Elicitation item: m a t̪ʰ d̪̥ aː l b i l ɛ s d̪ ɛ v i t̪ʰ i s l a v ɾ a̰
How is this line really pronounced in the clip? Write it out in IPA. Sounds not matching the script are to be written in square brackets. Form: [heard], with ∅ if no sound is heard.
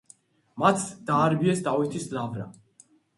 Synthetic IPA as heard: m a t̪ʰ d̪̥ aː [ɾ] b i [∅] ɛ s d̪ [a] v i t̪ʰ i s l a v ɾ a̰